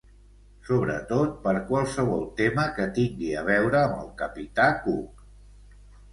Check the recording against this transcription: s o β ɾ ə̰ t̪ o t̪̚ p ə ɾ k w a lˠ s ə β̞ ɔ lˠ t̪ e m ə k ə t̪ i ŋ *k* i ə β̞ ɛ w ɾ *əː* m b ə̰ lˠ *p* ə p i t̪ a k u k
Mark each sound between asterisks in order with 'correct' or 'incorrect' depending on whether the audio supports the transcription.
incorrect: ɡ, correct, incorrect: k

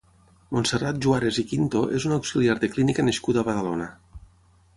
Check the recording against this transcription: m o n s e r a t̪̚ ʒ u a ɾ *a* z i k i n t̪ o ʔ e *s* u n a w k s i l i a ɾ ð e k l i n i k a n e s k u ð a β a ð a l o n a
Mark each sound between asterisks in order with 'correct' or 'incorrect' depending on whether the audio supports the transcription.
incorrect: e, incorrect: z

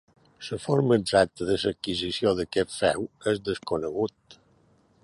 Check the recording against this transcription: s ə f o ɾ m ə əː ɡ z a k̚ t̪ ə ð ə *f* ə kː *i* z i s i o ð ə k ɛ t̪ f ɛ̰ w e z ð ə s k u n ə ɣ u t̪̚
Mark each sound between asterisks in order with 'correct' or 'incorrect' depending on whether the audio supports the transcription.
incorrect: s, correct

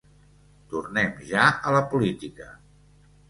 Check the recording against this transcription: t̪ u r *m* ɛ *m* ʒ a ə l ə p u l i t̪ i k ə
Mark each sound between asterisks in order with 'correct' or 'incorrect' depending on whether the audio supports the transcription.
incorrect: n, correct

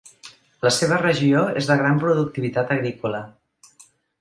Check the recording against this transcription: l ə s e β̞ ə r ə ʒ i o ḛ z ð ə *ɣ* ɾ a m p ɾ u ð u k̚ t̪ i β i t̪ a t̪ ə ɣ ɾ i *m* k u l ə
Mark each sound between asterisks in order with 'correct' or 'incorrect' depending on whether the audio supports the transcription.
correct, incorrect: none

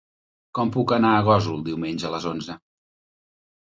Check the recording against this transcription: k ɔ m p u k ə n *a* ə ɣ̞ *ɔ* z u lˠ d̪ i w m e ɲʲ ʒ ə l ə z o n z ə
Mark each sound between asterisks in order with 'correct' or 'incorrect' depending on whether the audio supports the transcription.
correct, correct

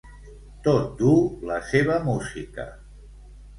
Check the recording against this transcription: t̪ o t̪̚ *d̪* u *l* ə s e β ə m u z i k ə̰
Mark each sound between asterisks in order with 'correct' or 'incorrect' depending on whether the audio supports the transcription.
correct, correct

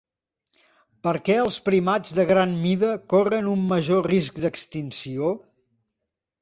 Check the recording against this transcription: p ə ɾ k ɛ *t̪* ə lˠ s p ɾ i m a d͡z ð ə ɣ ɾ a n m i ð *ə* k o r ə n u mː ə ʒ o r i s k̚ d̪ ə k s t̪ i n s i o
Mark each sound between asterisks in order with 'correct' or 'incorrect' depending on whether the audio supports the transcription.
incorrect: none, correct

